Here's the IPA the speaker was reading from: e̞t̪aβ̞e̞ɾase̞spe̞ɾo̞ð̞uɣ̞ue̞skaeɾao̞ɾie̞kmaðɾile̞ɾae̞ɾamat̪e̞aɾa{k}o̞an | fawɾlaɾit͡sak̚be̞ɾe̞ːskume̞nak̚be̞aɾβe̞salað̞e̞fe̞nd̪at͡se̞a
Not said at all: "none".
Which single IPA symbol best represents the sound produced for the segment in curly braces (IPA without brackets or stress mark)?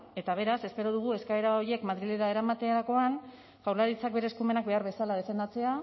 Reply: k